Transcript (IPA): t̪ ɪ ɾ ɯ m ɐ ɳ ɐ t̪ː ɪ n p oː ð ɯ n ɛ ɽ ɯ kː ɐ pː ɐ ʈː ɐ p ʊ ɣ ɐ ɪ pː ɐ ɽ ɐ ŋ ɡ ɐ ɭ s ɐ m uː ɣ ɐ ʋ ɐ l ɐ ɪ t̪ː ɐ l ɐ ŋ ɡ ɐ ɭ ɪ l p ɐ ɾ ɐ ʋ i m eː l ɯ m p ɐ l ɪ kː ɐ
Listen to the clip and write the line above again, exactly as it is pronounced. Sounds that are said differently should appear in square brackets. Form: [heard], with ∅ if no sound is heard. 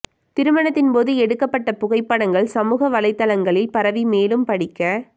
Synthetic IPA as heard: t̪ ɪ ɾ ɯ m ɐ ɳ ɐ t̪ː ɪ n p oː ð ɯ [∅] ɛ ɽ ɯ kː ɐ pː ɐ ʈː ɐ p ʊ ɣ ɐ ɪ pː ɐ ɽ ɐ ŋ ɡ ɐ ɭ s ɐ m uː ɣ ɐ ʋ ɐ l ɐ ɪ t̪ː ɐ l ɐ ŋ ɡ ɐ ɭ ɪ l p ɐ ɾ ɐ ʋ i m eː l ɯ m p ɐ [ɽ] ɪ kː ɐ